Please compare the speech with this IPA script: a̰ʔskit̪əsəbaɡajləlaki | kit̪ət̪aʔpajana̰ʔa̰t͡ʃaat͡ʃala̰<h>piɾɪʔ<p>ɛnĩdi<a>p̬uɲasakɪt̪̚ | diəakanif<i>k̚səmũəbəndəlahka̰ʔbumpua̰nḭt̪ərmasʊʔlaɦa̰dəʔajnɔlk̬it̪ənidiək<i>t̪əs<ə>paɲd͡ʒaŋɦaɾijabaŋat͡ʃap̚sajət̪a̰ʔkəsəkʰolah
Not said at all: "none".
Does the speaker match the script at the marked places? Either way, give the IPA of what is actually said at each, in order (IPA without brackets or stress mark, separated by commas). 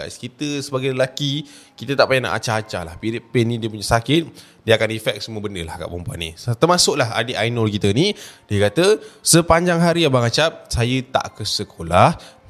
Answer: h, p, ə, ɛ, a, ə